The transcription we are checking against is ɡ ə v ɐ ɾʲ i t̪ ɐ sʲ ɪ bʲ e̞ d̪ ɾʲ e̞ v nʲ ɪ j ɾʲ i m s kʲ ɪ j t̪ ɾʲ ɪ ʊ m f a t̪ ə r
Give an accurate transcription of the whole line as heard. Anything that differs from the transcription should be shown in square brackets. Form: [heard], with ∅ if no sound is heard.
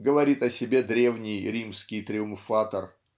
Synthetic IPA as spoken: ɡ ə v ɐ ɾʲ i t̪ ɐ sʲ ɪ bʲ e̞ d̪ ɾʲ e̞ v nʲ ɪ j ɾʲ i m s kʲ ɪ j t̪ ɾʲ ɪ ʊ m f a t̪ ə r